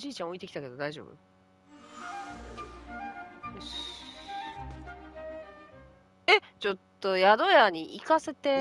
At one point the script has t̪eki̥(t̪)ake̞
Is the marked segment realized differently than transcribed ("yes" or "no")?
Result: no